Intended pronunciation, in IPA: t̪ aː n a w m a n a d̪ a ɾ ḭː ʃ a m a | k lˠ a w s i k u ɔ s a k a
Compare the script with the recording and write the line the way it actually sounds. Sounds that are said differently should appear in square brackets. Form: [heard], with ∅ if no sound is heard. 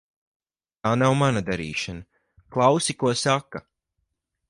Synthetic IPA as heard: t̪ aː n a w m a n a d̪ a ɾ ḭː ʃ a [n] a | k lˠ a w s i k u ɔ s a k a